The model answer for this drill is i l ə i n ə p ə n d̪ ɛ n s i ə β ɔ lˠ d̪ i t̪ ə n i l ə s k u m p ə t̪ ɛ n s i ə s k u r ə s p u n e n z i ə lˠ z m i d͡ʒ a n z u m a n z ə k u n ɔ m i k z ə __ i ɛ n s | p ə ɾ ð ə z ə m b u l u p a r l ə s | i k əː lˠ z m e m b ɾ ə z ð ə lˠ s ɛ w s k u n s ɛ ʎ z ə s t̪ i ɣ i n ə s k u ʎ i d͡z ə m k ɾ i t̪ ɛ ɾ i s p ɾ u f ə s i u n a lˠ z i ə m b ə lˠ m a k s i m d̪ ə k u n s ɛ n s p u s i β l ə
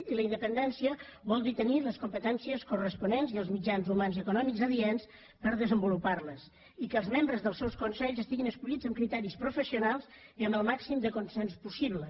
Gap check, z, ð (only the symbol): ð